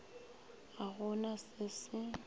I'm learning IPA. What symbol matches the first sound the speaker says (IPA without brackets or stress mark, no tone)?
a